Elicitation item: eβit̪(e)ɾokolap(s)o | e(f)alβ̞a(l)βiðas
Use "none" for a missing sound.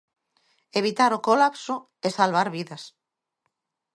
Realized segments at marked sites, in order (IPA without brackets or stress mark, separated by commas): a, s, s, ɾ